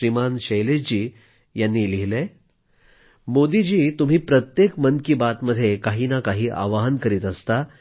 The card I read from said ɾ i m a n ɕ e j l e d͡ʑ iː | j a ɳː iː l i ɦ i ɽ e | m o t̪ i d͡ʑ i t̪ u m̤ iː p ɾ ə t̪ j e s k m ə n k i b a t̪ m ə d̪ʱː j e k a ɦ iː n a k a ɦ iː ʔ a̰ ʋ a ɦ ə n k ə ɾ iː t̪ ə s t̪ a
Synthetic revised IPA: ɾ i m a n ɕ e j l e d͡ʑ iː | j a nː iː l i ɦ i l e | m o d̪ i d͡ʑ iː t̪ u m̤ iː p ɾ ə t̪ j e k m ə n k i b a t̪ m ə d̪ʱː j e k a ɦ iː n a k a ɦ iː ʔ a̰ ʋ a ɦ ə n k ə ɾ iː t̪ ə s t̪ a